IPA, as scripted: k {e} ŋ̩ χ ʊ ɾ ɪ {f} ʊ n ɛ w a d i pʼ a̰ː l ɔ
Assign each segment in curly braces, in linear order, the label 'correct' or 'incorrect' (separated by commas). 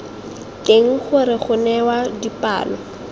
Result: correct, incorrect